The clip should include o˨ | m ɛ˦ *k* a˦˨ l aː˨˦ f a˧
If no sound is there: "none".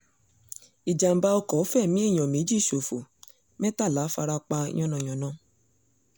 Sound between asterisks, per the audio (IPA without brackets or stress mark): t